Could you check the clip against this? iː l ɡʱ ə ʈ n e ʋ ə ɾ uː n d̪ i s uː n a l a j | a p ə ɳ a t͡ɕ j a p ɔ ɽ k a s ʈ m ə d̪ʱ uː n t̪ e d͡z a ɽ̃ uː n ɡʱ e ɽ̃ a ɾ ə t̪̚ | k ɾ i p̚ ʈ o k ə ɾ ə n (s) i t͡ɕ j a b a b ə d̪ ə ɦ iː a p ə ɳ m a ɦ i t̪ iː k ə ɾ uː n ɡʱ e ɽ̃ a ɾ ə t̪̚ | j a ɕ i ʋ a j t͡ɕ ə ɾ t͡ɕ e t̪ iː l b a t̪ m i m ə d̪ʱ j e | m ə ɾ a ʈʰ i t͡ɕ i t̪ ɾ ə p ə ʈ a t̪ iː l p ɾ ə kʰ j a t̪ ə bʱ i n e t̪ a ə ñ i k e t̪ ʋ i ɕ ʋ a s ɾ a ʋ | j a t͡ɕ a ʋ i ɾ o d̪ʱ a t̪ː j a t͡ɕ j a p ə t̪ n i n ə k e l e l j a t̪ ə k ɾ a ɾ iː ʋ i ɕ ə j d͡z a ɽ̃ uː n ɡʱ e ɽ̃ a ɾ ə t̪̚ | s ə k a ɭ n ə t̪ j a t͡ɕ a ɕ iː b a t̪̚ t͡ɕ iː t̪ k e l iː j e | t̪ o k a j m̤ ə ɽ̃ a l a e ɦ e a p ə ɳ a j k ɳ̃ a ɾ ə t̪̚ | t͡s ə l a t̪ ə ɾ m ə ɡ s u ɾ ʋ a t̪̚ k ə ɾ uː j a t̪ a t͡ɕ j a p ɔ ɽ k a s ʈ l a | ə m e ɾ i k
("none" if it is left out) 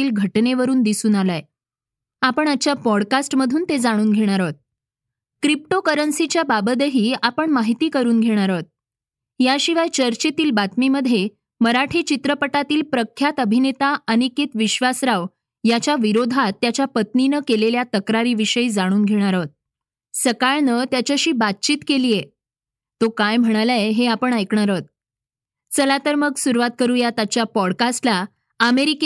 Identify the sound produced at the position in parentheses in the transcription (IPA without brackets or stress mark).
s